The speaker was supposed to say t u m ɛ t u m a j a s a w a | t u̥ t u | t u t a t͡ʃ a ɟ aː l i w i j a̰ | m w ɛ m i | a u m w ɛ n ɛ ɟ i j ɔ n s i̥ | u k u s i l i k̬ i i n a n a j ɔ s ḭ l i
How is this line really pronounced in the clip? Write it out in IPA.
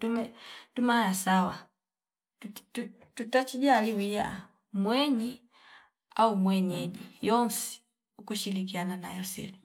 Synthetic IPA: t u m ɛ t u m a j a s a w a | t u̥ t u | t u t a t͡ʃ i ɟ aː l i w i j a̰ | m w ɛ ɲ i | a u m w ɛ ɲ ɛ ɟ i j ɔ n s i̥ | u k u ʃ i l i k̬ i a n a n a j ɔ s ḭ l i